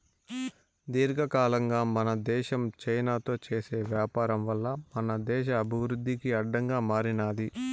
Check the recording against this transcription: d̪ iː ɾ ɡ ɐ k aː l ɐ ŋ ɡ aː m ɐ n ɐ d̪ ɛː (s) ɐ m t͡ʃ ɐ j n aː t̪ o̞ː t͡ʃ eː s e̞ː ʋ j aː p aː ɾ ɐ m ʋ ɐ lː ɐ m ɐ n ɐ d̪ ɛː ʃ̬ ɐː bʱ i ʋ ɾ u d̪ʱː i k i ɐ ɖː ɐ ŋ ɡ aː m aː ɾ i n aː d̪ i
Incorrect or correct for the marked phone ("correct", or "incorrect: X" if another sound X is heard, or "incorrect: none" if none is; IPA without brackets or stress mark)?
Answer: incorrect: ʃ